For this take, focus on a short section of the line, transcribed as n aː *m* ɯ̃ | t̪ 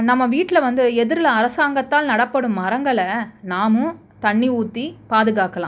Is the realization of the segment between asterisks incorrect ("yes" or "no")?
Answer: no